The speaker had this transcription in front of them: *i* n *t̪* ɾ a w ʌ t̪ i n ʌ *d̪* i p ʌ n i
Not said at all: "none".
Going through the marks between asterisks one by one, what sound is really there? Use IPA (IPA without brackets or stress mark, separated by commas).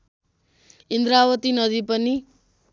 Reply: i, d̪, d̪